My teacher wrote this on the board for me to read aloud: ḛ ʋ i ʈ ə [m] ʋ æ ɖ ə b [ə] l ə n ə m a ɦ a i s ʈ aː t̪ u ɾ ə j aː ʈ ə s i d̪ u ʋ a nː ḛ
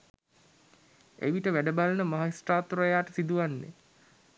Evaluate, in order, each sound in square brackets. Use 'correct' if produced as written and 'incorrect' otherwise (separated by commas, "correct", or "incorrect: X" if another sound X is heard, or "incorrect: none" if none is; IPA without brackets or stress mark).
incorrect: none, incorrect: a